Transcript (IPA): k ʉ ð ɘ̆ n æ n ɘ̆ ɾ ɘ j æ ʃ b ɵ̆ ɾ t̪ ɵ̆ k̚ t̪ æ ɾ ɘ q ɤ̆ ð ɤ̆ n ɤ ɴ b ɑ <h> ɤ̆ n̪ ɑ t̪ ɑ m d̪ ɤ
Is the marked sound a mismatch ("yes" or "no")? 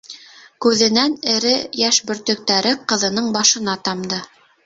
yes